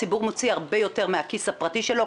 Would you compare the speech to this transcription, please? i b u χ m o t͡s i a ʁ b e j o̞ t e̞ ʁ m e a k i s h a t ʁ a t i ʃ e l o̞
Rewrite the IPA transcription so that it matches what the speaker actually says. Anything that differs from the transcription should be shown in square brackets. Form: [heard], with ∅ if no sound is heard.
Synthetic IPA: i b u [ʁ] m o t͡s i a ʁ b e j o̞ t e̞ ʁ m e a k i s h a [p] ʁ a t i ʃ e l o̞